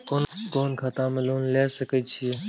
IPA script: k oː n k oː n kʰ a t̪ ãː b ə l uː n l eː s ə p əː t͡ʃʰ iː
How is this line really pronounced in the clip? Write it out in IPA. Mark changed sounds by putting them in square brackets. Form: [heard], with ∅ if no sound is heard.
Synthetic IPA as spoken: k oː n k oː n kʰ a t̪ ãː [m] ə l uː n l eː s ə [k] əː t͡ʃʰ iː